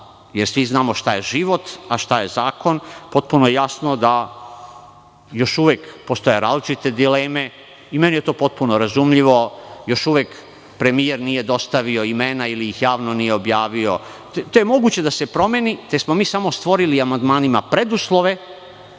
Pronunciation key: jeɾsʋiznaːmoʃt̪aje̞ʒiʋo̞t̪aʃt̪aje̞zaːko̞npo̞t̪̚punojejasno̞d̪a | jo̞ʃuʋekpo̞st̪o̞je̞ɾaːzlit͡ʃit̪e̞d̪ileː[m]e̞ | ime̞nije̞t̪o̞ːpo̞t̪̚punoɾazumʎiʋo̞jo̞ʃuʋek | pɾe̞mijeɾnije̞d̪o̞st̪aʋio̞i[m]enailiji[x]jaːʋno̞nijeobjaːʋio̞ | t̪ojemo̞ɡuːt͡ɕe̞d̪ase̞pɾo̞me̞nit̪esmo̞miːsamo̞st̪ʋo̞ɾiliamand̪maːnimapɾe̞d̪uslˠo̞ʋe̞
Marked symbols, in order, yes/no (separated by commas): yes, yes, yes